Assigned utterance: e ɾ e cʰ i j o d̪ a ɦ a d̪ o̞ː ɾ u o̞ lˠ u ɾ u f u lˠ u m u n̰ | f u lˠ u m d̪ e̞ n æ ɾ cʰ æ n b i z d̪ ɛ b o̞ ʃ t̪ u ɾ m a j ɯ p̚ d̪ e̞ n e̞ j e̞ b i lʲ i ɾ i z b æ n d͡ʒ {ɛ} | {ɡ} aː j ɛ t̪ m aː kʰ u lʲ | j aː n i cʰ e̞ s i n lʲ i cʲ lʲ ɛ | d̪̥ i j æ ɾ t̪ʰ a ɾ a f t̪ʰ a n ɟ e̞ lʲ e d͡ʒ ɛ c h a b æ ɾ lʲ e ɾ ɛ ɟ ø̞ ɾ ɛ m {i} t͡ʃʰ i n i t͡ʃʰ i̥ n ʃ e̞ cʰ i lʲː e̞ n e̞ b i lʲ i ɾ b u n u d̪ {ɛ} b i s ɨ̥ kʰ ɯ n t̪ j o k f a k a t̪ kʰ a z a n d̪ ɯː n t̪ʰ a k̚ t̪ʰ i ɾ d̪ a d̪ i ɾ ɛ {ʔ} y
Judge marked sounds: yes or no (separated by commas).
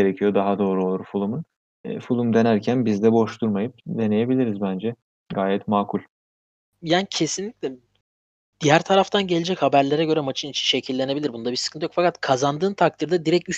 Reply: yes, yes, no, no, no